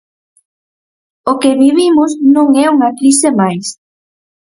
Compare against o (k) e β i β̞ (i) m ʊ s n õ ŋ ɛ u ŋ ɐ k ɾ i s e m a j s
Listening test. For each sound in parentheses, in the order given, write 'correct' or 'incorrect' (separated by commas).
correct, correct